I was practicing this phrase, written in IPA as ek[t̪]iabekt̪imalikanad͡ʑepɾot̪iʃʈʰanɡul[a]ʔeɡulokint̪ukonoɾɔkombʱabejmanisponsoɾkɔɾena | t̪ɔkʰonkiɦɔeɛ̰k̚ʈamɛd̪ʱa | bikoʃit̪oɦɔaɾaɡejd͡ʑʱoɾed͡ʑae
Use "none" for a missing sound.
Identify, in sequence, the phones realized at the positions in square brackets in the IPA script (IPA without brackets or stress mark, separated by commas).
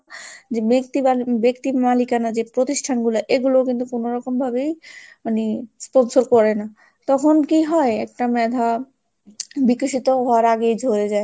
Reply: t̪, a